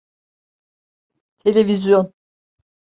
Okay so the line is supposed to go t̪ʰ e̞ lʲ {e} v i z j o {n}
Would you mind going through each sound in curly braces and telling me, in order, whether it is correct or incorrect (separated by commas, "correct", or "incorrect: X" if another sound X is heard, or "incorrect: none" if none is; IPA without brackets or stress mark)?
correct, correct